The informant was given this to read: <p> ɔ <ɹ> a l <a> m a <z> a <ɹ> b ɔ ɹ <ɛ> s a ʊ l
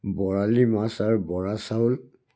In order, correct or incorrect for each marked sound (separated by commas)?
incorrect, correct, incorrect, incorrect, correct, incorrect